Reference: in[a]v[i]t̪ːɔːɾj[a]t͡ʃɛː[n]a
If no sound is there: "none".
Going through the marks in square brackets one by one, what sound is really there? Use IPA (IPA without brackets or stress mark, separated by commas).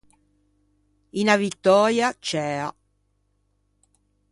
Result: a, i, a, none